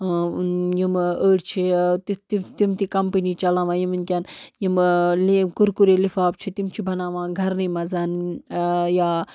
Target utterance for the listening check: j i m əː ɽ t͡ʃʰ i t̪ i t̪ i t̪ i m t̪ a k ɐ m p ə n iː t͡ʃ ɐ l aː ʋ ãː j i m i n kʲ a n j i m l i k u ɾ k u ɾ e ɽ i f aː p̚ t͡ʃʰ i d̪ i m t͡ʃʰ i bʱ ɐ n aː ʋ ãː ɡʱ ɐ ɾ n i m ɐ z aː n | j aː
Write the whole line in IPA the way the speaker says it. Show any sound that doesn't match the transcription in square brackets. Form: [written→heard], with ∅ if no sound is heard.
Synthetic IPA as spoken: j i m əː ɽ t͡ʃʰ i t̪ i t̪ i t̪ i m t̪ [a→i] k ɐ m p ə n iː t͡ʃ ɐ l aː ʋ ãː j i m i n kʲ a n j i m l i k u ɾ k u ɾ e [ɽ→l] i f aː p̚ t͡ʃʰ i [d̪→t̪] i m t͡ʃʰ i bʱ ɐ n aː ʋ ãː ɡʱ ɐ ɾ n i m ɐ z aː n | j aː